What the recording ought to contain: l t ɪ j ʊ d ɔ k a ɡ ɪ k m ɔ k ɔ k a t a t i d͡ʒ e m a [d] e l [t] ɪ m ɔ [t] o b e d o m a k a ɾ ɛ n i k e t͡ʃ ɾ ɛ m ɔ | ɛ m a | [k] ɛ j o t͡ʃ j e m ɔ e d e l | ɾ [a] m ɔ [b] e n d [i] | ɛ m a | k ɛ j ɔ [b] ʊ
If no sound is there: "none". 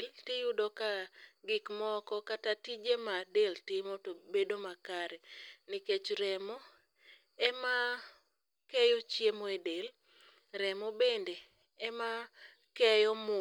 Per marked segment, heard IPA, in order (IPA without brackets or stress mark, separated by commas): d, t, t, k, ɛ, b, e, m